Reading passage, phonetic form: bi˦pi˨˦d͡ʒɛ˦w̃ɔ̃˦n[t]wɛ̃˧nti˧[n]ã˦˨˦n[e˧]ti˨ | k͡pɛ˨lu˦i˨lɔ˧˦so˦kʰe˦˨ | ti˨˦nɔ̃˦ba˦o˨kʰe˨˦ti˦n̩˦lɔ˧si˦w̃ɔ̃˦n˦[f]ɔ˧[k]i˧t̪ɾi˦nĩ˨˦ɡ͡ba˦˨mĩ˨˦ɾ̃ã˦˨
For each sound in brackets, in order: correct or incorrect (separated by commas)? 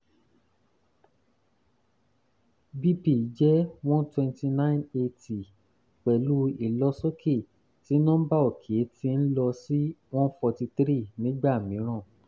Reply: correct, correct, correct, correct, incorrect